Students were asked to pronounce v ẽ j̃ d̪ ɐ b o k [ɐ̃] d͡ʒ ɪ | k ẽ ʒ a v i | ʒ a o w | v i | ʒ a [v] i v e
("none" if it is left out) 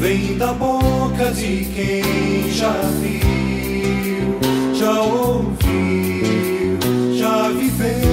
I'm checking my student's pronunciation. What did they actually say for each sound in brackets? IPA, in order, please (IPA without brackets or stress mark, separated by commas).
ɐ, v